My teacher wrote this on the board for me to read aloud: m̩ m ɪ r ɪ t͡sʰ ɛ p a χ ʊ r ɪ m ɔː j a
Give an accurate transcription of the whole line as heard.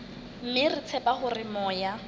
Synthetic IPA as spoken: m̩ m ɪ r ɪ t͡sʰ ɛ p a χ ʊ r ɪ m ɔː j a